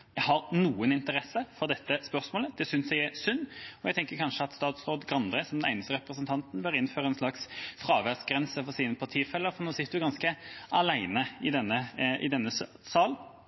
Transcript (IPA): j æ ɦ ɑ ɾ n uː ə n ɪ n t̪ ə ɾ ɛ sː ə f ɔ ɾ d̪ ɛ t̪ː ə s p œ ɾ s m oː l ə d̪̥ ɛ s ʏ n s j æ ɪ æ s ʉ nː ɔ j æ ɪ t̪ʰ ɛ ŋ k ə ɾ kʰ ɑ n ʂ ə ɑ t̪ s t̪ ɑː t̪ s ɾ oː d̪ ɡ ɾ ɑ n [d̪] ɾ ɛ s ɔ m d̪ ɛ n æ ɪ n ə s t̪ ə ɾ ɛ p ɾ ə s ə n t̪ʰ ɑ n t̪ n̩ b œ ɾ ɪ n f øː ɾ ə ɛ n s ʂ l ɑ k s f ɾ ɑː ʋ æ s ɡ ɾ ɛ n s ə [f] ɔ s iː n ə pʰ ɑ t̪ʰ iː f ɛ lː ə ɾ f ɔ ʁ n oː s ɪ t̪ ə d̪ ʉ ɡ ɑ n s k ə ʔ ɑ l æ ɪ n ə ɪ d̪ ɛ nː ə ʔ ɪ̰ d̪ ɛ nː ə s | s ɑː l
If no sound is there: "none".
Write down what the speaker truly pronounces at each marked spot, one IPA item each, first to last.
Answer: d̪, f

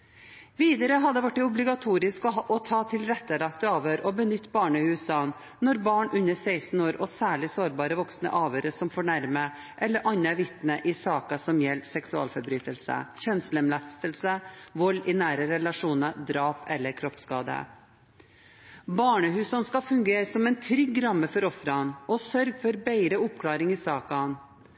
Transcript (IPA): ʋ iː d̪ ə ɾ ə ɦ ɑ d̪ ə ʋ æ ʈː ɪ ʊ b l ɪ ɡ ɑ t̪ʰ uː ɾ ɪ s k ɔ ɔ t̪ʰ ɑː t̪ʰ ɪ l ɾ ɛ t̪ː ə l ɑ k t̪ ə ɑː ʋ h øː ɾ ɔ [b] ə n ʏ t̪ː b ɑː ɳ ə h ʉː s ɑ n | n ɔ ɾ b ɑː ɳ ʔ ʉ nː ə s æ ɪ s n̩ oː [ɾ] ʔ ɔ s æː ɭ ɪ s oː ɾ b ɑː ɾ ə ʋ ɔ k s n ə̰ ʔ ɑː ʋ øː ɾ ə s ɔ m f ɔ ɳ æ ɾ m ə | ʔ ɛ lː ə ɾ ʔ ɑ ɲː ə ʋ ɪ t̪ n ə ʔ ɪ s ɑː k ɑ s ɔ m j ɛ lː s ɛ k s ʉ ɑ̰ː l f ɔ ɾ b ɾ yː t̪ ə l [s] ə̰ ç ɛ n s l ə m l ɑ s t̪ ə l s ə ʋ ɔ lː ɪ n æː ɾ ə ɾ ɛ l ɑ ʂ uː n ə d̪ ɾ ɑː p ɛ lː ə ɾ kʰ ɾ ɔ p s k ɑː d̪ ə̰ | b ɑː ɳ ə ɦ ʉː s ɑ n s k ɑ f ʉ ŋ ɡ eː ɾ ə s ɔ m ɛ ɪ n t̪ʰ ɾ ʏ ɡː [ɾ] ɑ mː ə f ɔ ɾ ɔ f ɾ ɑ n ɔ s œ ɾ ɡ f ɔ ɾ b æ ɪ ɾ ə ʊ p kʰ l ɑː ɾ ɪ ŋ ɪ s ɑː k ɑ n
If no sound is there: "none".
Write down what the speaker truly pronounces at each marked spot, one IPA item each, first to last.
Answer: b, ɾ, s, ɾ

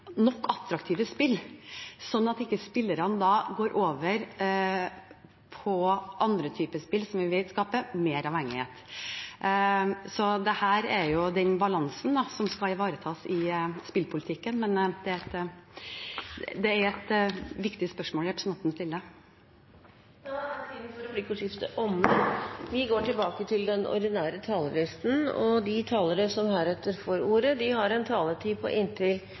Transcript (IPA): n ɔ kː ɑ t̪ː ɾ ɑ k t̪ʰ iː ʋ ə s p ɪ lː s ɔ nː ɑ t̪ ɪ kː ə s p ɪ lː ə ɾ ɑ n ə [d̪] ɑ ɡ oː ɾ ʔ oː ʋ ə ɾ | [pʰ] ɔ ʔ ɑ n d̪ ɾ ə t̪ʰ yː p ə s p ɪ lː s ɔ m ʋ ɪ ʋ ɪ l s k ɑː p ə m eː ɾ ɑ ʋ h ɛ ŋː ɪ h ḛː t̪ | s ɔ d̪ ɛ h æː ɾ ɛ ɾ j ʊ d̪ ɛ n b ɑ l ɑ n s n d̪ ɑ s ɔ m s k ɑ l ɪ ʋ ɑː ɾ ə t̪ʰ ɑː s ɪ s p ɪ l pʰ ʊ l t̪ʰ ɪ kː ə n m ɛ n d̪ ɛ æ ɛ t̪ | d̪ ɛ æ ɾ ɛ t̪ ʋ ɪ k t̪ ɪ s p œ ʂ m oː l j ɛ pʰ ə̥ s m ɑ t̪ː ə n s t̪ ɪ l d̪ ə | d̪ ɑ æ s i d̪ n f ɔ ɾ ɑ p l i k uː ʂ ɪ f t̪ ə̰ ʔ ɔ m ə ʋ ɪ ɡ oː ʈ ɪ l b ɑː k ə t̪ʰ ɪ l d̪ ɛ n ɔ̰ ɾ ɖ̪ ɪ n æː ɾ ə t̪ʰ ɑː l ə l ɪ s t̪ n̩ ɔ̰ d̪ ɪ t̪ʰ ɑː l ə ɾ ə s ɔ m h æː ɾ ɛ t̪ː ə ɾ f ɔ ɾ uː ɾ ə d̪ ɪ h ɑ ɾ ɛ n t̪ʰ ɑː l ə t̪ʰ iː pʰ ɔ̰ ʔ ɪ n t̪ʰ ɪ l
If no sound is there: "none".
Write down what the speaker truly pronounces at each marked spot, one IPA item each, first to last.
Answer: d̪, pʰ

